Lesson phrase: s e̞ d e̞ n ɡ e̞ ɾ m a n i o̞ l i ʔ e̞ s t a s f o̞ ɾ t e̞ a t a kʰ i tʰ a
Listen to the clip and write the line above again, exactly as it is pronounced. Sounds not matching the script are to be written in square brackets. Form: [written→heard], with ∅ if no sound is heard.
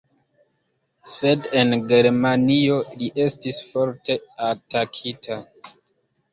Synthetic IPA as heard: s e̞ d e̞ n ɡ e̞ ɾ m a n i o̞ l i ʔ e̞ s t [a→i] s f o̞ ɾ t e̞ a t a kʰ i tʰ a